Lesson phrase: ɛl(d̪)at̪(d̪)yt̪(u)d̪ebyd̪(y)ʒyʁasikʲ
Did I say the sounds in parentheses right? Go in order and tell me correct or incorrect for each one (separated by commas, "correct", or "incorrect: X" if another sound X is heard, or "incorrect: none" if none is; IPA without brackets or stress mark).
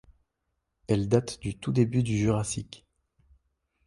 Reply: correct, correct, correct, correct